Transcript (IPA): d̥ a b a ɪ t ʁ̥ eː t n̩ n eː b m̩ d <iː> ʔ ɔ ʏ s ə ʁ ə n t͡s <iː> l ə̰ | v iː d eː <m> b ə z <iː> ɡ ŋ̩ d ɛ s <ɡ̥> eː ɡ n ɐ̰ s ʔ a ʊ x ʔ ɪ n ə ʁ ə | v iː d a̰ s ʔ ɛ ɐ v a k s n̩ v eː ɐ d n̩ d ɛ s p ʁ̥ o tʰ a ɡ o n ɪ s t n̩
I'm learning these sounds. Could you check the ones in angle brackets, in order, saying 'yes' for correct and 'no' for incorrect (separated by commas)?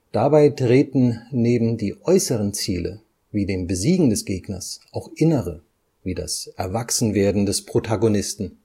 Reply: yes, yes, yes, yes, yes